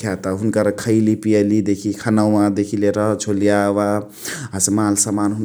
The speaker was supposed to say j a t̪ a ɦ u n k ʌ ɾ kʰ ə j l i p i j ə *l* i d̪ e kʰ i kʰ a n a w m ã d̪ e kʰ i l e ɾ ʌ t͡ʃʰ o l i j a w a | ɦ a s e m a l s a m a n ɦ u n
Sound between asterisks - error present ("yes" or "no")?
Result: no